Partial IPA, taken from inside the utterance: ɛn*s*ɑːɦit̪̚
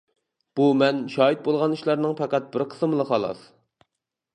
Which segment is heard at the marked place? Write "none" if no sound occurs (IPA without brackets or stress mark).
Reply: ʃ